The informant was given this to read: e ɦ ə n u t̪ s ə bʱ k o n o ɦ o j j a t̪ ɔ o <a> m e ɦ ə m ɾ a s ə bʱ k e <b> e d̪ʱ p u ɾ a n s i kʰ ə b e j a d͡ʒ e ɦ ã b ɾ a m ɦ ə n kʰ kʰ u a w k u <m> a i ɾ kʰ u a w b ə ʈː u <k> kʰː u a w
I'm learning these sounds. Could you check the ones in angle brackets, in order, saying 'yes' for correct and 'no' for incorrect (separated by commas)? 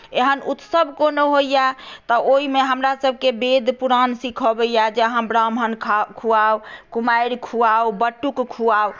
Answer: no, yes, yes, yes